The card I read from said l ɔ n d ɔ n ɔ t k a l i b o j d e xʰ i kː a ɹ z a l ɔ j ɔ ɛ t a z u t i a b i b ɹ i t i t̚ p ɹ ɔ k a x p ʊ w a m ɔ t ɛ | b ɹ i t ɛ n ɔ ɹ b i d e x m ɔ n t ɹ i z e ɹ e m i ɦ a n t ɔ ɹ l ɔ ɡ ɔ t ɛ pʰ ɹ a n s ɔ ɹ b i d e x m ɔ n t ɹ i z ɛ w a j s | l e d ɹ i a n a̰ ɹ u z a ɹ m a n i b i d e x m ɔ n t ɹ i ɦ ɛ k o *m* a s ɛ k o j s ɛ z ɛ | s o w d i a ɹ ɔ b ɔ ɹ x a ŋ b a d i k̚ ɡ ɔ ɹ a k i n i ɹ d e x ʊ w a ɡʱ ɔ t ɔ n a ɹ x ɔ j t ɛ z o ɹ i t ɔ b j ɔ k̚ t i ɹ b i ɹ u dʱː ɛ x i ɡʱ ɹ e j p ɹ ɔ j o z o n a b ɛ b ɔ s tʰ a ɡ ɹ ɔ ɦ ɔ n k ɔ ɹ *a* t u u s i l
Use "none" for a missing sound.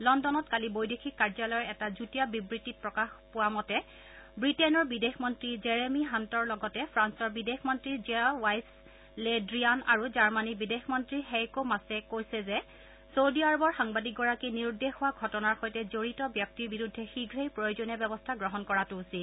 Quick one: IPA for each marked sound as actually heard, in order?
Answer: m, a

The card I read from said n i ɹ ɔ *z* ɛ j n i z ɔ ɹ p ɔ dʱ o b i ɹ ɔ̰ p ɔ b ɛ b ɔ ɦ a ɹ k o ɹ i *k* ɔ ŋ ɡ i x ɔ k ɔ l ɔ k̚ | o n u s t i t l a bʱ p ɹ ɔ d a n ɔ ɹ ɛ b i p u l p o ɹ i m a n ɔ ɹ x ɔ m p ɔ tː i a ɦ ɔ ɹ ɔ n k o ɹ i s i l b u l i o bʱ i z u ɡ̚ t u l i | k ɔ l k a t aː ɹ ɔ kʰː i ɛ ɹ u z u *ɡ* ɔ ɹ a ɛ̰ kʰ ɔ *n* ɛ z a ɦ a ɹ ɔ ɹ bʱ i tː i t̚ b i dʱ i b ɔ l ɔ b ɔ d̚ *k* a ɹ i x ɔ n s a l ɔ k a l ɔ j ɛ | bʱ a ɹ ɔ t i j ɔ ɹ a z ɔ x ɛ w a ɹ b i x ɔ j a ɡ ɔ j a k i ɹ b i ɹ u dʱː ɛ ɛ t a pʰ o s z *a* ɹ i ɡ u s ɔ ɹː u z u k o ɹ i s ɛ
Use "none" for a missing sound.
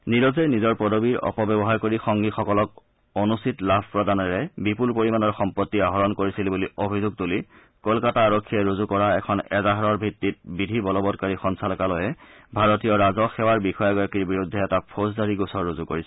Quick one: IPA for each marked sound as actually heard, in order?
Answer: z, x, k, n, k, a

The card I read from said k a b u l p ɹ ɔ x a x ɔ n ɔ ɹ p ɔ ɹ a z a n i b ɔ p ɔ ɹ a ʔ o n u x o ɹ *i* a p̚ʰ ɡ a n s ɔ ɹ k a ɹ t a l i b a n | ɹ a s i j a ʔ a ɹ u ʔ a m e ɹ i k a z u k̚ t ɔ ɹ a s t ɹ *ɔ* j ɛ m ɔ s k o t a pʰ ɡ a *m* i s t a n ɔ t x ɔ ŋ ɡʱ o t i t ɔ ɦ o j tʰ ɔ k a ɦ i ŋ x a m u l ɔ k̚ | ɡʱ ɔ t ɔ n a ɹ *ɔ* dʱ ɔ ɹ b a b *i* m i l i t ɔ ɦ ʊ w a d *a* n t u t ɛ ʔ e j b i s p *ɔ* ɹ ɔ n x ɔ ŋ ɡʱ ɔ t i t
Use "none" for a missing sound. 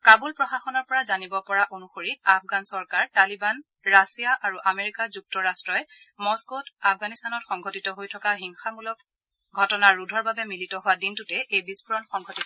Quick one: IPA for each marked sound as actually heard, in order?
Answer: i, ɔ, n, u, ɛ, i, u

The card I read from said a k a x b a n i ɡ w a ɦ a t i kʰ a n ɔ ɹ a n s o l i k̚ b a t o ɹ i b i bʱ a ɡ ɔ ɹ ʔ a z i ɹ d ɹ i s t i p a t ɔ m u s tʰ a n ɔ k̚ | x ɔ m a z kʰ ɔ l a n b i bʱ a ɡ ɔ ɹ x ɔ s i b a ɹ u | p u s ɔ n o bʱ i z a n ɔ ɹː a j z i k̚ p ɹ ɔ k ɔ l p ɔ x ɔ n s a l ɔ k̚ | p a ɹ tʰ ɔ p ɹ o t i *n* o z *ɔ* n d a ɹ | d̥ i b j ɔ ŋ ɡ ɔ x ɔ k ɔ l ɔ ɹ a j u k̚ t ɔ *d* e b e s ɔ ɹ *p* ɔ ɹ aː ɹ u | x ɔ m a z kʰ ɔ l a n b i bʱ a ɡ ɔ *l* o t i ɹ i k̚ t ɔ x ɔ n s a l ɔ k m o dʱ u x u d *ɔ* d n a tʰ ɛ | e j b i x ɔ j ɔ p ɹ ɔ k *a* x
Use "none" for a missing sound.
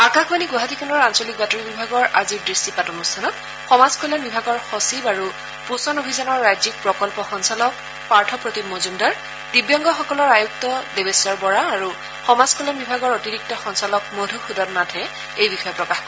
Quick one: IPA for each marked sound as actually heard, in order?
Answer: m, u, d, b, ɹ, ɔ, a

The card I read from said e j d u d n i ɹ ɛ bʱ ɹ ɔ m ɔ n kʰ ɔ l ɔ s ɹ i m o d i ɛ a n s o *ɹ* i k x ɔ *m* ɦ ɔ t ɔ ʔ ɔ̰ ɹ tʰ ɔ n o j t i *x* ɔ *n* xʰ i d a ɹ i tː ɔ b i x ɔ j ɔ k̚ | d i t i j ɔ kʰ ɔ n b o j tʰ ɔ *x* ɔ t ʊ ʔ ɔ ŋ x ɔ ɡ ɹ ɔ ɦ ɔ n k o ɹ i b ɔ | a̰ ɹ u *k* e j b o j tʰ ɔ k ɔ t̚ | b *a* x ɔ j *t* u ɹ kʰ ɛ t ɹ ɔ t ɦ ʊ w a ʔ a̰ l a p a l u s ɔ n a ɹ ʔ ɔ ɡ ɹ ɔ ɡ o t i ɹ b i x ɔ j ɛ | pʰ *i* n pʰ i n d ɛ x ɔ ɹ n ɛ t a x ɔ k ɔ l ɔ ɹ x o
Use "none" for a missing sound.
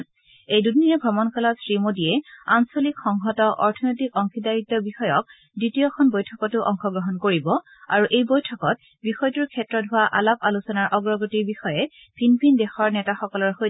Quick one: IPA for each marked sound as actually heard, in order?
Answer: l, ŋ, k, ŋ, k, ʔ, i, t, i

